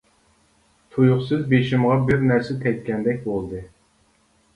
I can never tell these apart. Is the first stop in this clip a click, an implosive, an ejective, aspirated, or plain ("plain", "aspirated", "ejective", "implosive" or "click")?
aspirated